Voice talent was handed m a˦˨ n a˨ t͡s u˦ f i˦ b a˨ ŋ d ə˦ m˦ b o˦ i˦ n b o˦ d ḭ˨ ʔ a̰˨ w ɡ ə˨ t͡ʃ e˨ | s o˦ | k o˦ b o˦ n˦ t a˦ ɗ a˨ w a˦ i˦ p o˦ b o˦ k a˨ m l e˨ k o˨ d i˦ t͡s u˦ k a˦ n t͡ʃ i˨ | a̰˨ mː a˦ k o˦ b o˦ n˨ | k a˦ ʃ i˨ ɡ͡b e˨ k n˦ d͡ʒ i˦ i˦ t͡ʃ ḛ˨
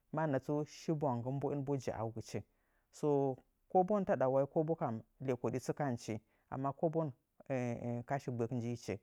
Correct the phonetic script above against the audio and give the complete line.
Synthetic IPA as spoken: m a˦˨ n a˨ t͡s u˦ ʃ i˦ b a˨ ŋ ɡ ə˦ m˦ b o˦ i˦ n b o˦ d͡ʒ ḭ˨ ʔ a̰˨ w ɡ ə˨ t͡ʃ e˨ | s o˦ | k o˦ b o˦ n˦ t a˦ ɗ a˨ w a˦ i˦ k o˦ b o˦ k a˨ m l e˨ k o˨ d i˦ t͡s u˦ k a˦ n t͡ʃ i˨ | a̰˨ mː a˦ k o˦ b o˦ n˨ | k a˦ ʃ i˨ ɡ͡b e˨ k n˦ d͡ʒ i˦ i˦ t͡ʃ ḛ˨